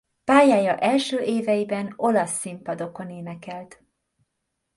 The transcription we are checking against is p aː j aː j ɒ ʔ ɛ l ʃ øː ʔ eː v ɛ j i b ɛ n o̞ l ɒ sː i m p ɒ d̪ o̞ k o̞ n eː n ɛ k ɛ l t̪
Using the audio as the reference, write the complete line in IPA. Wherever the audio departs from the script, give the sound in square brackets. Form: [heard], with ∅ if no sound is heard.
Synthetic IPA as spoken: p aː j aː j ɒ ʔ ɛ l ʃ øː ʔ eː v ɛ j i b ɛ n o̞ l ɒ sː i m p ɒ d̪ o̞ k o̞ n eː n ɛ k ɛ l t̪